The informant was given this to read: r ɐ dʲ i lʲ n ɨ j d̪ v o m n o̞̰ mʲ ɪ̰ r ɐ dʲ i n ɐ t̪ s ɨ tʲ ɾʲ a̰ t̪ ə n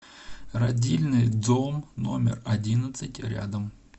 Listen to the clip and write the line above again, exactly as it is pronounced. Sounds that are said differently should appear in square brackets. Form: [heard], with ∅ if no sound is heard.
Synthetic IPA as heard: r ɐ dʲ i lʲ n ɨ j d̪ [z] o m n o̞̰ mʲ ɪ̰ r ɐ dʲ i n [ə] t̪ s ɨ tʲ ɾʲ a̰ [d̪] ə [m]